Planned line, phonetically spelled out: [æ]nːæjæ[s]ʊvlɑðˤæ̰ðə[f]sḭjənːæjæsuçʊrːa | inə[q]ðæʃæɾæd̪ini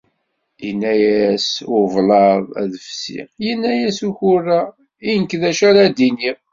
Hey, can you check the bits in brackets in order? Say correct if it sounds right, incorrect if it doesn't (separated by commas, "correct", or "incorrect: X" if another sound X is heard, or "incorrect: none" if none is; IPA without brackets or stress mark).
incorrect: i, correct, correct, incorrect: k